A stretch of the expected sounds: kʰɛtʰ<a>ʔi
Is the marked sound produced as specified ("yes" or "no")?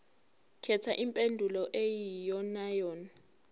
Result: yes